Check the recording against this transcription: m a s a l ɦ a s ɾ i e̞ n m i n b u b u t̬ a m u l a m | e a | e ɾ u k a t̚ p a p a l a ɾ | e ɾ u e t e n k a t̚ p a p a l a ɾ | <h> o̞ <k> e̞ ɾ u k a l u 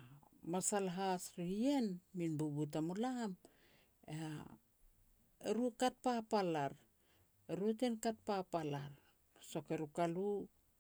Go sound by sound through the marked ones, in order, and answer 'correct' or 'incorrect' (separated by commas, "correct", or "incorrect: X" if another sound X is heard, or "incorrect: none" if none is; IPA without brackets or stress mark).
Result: incorrect: s, correct